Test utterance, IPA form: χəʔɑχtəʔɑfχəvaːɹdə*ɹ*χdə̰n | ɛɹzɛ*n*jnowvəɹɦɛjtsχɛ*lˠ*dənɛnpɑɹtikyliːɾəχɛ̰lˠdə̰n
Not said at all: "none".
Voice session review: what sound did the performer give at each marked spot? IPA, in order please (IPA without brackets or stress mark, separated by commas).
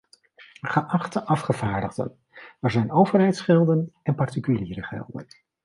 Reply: none, none, lˠ